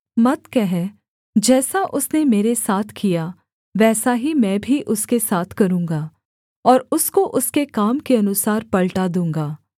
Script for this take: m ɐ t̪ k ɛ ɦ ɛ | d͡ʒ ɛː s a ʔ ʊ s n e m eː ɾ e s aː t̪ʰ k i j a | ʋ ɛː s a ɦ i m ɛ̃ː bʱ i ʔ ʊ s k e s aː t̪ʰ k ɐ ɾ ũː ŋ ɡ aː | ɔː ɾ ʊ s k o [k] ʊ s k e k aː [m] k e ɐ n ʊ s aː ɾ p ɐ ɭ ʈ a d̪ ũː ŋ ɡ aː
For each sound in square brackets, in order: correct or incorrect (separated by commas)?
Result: incorrect, correct